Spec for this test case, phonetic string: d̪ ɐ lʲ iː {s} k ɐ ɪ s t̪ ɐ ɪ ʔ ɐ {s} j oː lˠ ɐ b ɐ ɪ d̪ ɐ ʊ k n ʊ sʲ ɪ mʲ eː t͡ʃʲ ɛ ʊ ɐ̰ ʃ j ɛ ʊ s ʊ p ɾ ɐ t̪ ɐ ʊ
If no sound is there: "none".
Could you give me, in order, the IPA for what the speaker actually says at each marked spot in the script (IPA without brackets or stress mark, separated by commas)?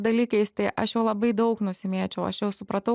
none, ʃ